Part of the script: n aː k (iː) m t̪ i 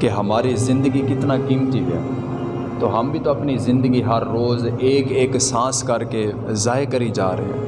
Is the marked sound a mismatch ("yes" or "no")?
no